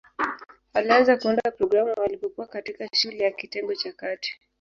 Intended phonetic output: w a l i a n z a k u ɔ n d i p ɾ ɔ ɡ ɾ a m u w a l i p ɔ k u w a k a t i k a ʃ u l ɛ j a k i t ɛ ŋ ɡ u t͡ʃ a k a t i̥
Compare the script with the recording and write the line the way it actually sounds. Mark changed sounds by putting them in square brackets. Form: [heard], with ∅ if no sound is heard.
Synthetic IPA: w a l i a n z a k u ɔ n d [a] p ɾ ɔ ɡ ɾ a m u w a l i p ɔ k u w a k a t i k a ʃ u l ɛ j a k i t ɛ ŋ ɡ [ɔ] t͡ʃ a k a t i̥